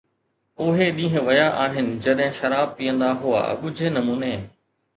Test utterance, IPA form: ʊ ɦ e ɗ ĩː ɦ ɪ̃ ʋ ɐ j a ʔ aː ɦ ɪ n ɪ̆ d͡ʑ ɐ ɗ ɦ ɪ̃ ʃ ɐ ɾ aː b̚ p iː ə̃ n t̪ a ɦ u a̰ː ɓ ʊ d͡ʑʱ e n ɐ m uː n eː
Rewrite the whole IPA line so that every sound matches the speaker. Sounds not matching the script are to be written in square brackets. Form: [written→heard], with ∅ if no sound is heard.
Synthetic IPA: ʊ ɦ e ɗ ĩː ɦ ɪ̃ ʋ ɐ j a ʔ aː ɦ ɪ n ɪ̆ d͡ʑ ɐ ɗ ɦ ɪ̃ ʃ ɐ ɾ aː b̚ p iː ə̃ n [t̪→d̪] a ɦ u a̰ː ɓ ʊ d͡ʑʱ e n ɐ m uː n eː